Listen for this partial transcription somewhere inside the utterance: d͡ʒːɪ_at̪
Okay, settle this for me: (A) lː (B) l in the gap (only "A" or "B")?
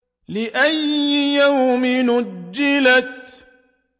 B